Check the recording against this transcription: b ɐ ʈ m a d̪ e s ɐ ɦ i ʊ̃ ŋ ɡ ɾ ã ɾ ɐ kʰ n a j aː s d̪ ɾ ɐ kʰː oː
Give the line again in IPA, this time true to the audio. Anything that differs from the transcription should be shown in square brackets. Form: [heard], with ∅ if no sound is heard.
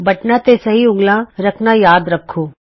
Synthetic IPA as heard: b ɐ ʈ [n] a [t̪] e s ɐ ɦ i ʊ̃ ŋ ɡ [l] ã ɾ ɐ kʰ n a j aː [∅] d̪ ɾ ɐ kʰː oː